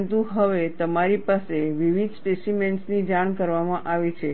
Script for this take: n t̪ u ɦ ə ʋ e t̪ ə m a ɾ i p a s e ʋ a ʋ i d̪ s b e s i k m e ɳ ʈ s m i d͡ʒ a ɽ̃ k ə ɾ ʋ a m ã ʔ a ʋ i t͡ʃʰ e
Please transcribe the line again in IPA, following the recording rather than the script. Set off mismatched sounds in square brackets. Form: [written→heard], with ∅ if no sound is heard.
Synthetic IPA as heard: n t̪ u ɦ ə ʋ e t̪ ə m a ɾ i p a s e ʋ [a→i] ʋ i d̪ s [b→p] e s i [k→∅] m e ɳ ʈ s [m→n] i d͡ʒ a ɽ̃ k ə ɾ ʋ a m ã ʔ a ʋ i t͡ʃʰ e